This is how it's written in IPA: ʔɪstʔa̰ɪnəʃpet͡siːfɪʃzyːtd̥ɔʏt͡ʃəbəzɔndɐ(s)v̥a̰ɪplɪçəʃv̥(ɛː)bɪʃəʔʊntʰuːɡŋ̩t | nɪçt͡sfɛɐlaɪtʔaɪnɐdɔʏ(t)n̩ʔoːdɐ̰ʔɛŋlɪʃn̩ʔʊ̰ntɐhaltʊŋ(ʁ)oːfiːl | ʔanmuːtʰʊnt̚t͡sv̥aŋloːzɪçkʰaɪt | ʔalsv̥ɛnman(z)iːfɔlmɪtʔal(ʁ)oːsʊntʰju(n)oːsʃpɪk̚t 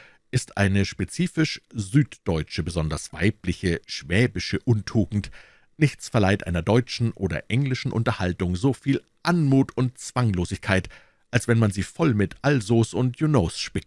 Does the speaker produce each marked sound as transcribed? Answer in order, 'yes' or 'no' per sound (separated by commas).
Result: yes, yes, no, no, yes, no, yes